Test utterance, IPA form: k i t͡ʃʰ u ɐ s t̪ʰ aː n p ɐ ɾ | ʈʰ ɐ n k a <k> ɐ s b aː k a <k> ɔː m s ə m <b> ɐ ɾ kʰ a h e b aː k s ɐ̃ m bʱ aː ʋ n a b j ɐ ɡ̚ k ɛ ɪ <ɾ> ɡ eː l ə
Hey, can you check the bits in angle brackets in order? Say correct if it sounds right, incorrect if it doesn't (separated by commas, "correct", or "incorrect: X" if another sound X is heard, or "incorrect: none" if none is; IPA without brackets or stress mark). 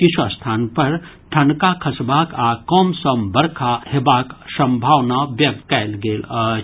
incorrect: kʰ, correct, correct, incorrect: l